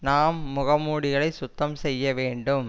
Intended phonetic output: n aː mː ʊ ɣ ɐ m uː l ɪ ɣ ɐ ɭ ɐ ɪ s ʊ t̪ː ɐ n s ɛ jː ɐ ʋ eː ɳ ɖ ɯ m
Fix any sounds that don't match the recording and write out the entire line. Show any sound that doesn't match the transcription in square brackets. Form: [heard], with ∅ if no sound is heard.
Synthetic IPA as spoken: n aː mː ʊ ɣ ɐ m uː [ɽ] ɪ ɣ ɐ ɭ ɐ ɪ s ʊ t̪ː ɐ [m] s ɛ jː ɐ ʋ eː ɳ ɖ ɯ m